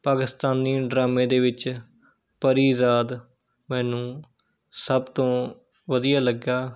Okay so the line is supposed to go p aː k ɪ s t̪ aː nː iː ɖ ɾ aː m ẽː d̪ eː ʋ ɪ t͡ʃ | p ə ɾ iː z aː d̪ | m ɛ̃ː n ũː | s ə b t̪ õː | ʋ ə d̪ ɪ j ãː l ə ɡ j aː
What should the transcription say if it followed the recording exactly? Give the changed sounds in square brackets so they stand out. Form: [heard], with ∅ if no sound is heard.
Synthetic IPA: p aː k ɪ s t̪ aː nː iː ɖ ɾ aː m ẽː d̪ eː ʋ ɪ t͡ʃ | p ə ɾ iː z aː d̪ | m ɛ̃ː n ũː | s ə b t̪ õː | ʋ ə d̪ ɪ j [aː] l ə ɡ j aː